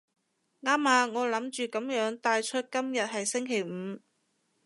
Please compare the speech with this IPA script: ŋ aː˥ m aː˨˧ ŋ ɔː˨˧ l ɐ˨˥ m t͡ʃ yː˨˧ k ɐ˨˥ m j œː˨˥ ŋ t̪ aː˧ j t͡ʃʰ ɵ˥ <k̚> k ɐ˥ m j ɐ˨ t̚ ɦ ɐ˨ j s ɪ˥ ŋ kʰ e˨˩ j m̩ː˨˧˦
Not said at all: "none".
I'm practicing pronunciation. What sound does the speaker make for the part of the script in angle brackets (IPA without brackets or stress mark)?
t̚